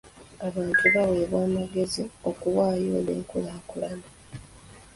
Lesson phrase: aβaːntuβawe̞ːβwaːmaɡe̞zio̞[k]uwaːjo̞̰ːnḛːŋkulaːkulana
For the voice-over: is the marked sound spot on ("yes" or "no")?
yes